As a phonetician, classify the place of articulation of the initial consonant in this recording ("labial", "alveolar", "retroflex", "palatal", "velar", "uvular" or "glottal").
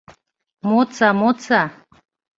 labial